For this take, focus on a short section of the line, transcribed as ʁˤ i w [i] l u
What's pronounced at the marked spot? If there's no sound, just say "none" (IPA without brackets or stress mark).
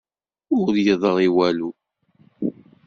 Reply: æ